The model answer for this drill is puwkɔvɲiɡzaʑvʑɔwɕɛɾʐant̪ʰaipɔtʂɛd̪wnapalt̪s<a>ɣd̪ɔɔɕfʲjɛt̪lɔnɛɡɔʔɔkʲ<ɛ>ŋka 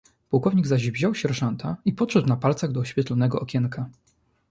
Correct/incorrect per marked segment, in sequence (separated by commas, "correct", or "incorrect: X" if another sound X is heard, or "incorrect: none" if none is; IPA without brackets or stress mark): correct, correct